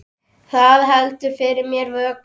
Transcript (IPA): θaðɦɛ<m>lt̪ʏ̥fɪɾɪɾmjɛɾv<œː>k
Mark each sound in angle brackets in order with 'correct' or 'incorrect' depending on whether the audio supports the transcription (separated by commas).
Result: incorrect, correct